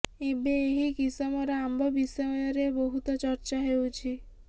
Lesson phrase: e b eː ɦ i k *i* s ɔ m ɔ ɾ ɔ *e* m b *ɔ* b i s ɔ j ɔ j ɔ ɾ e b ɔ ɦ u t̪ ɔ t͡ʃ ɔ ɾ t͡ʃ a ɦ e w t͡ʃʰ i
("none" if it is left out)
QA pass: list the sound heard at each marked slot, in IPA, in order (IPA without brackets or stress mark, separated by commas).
i, a, ɔ